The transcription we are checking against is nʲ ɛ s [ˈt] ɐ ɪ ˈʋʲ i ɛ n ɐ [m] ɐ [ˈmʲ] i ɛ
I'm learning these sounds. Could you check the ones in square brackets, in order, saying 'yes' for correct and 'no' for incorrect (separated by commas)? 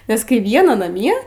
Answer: no, no, yes